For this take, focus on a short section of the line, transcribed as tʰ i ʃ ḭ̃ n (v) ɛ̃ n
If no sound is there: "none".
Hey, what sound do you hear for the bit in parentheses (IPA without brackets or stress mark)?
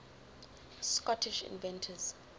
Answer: v